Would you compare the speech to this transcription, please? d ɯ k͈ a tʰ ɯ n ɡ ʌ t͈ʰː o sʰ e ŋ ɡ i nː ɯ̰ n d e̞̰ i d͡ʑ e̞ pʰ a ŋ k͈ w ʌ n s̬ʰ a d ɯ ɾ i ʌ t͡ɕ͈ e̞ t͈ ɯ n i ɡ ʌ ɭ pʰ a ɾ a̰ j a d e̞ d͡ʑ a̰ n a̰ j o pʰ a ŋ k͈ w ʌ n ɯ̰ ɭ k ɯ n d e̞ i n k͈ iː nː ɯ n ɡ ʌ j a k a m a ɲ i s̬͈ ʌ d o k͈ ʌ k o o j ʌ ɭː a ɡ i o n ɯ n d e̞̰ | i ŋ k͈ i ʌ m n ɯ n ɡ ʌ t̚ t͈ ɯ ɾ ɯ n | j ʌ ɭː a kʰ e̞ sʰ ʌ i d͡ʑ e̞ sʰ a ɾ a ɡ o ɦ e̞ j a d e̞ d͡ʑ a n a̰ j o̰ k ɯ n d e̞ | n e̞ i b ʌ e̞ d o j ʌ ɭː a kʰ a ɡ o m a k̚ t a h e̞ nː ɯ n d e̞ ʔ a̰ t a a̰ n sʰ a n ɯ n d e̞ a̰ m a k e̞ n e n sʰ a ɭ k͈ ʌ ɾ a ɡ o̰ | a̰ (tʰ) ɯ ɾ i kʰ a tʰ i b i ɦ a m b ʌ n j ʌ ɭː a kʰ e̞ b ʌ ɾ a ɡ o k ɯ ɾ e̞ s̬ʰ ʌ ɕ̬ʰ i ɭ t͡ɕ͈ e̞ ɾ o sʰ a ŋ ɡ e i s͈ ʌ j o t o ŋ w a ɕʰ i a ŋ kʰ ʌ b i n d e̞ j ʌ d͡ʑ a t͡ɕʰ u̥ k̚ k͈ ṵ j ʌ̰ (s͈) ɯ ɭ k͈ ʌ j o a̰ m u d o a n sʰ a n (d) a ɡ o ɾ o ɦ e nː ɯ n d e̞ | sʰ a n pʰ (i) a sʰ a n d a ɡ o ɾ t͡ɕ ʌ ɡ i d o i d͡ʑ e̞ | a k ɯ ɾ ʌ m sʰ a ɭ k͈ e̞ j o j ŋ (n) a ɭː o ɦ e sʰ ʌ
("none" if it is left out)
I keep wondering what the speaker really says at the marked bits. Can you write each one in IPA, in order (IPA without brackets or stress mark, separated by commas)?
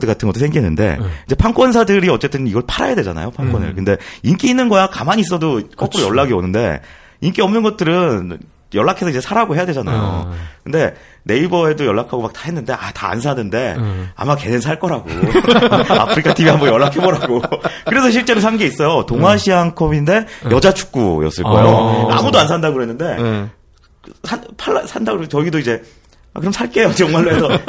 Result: pʰ, s͈, d, a, m